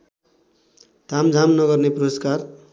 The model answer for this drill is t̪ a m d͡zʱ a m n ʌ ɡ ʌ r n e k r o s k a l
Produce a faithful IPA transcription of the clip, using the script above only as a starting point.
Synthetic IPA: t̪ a m d͡zʱ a m n ʌ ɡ ʌ r n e p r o s k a r